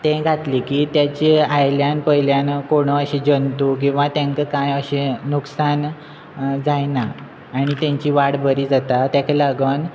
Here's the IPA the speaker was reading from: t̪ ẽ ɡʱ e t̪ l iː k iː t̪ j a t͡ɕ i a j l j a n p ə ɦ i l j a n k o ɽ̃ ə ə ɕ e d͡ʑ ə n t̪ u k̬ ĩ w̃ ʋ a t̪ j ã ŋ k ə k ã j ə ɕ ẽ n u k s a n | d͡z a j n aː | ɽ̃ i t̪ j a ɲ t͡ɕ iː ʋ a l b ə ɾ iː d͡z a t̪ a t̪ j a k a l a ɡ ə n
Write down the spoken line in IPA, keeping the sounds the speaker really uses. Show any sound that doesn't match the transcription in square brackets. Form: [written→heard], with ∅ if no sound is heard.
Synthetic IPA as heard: t̪ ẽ ɡʱ [e→a] t̪ l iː k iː t̪ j a t͡ɕ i a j l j a n p ə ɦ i l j a n k o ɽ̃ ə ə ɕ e d͡ʑ ə n t̪ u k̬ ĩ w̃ ʋ a t̪ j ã ŋ k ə k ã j ə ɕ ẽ n u k s a n | d͡z a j n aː | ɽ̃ i t̪ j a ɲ t͡ɕ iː ʋ a [l→ɽ] b ə ɾ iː d͡z a t̪ a t̪ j a k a l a ɡ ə n